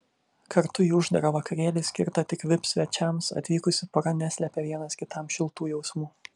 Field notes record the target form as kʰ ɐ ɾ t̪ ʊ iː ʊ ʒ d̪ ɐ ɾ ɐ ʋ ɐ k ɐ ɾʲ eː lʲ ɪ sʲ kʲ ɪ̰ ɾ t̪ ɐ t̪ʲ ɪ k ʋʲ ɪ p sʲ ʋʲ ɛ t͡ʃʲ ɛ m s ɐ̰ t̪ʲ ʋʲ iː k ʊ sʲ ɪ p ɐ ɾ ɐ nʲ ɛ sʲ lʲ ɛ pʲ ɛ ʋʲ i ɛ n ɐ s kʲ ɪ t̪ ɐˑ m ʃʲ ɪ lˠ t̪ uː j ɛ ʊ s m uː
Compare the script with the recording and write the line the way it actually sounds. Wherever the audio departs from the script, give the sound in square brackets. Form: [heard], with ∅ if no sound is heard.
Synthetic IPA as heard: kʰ ɐ ɾ t̪ ʊ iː ʊ ʒ d̪ ɐ ɾ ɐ ʋ ɐ k ɐ ɾʲ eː lʲ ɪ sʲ kʲ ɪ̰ ɾ t̪ ɐ t̪ʲ ɪ k ʋʲ ɪ p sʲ ʋʲ ɛ t͡ʃʲ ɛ m s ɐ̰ t̪ʲ ʋʲ iː k ʊ sʲ ɪ p ɐ ɾ ɐ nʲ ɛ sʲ lʲ ɛ pʲ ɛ ʋʲ i ɛ n ɐ s kʲ ɪ t̪ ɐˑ m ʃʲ ɪ lˠ t̪ uː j ɛ ʊ s m uː